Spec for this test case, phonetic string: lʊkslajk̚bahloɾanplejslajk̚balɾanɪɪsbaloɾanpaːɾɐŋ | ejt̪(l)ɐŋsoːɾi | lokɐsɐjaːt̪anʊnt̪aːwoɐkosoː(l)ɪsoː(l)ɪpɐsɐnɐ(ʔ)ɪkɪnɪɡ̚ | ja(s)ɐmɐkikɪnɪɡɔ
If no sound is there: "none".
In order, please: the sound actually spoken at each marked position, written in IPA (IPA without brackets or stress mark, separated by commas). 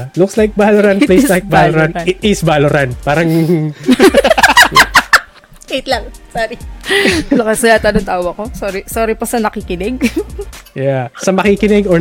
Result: l, ɾ, ɾ, k, s